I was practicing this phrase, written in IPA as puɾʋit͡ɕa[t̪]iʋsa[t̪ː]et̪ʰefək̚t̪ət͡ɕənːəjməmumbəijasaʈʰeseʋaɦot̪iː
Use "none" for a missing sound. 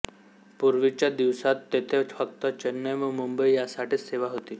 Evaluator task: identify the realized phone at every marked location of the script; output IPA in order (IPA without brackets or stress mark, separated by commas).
d̪, t̪ː